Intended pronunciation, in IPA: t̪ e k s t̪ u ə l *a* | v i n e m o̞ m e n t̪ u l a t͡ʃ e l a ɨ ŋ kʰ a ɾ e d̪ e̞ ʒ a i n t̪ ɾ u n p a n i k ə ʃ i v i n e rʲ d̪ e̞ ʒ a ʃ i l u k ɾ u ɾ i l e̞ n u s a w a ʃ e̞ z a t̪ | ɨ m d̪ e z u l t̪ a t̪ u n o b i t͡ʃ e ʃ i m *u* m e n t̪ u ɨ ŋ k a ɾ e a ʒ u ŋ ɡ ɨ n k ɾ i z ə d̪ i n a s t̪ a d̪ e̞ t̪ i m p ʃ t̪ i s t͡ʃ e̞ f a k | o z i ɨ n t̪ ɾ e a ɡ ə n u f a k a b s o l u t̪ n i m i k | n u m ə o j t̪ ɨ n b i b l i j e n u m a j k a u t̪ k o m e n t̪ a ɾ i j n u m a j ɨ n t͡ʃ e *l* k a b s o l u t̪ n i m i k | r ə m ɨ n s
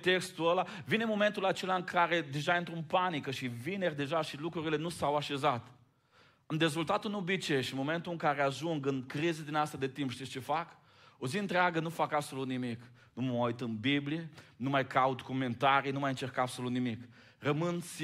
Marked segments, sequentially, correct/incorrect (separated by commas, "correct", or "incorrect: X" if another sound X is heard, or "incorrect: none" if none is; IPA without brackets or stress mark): correct, incorrect: o, incorrect: r